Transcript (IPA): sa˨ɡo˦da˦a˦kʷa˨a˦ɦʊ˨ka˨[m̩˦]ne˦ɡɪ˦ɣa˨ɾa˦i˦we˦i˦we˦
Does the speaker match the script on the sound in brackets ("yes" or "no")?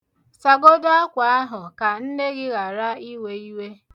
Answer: no